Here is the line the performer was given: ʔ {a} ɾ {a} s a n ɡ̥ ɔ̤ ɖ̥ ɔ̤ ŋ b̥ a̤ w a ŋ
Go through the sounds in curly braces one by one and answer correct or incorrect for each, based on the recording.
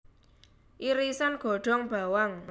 incorrect, incorrect

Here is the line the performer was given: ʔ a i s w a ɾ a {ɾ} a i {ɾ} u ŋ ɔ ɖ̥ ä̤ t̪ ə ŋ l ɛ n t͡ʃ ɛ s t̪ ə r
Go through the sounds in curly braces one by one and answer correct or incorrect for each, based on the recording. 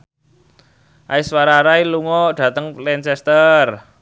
correct, incorrect

